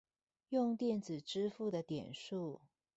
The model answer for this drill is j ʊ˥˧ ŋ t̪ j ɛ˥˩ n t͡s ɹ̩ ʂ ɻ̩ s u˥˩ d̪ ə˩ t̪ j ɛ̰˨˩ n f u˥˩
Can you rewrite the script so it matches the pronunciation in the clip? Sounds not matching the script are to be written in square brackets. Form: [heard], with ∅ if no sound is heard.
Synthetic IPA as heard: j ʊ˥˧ ŋ t̪ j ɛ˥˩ n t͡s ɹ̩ [ʈ͡ʂ] ɻ̩ [f] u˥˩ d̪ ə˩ t̪ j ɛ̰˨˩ n [ʂ] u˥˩